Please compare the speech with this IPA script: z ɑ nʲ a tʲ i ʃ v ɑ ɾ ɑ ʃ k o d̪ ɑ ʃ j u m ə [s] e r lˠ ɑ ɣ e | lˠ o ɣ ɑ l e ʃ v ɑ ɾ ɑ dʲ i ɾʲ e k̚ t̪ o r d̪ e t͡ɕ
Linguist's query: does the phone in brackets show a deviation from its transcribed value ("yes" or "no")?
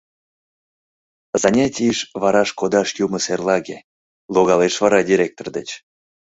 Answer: no